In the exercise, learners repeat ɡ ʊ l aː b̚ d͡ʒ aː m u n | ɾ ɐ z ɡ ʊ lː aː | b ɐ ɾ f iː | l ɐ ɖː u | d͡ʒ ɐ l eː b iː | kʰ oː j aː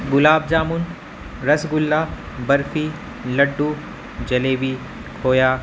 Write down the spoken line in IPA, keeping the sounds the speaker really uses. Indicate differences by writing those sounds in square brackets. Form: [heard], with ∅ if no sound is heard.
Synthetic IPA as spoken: ɡ ʊ l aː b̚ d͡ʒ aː m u n | ɾ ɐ [s] ɡ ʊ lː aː | b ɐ ɾ f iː | l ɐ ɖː u | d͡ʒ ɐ l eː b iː | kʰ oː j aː